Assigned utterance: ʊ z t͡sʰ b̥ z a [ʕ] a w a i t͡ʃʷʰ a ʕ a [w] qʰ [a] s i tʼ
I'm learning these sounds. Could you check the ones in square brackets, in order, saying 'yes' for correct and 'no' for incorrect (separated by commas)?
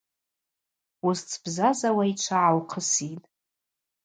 no, yes, no